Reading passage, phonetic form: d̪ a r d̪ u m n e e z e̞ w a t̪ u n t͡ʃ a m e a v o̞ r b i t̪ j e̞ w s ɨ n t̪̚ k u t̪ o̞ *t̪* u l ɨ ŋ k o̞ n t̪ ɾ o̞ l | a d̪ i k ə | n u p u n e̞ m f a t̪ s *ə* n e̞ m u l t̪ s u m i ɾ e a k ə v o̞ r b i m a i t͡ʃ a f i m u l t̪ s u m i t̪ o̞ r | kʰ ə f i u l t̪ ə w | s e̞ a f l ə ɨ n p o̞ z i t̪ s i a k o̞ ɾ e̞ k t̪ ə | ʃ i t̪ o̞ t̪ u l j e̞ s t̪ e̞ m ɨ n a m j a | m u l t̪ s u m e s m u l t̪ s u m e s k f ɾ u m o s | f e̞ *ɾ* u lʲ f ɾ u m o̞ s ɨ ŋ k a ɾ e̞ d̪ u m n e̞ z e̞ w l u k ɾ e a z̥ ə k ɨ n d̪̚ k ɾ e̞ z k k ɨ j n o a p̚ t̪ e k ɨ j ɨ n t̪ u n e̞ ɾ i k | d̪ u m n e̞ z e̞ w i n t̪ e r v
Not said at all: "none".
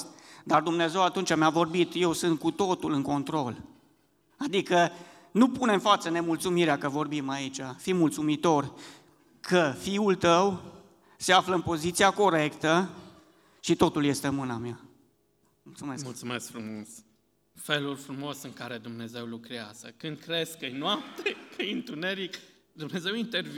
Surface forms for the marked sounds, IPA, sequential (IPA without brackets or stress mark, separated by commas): t̪, ə, l